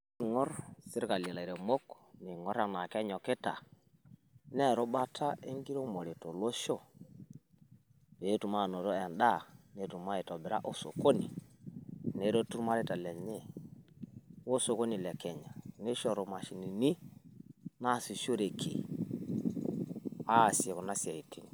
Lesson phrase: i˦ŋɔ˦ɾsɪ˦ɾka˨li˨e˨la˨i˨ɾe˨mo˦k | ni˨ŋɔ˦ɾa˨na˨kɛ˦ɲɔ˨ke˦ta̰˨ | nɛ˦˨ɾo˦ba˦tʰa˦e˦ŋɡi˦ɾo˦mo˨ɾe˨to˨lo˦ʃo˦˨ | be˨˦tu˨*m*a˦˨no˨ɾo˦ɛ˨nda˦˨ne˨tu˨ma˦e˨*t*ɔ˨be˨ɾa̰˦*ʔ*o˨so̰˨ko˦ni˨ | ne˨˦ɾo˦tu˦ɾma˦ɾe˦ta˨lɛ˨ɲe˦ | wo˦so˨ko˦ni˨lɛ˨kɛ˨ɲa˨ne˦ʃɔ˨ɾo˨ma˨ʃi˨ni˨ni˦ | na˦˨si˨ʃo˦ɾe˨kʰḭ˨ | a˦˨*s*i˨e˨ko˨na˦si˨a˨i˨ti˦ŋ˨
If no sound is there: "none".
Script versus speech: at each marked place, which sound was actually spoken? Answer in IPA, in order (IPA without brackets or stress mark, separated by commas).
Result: m, t, ʔ, s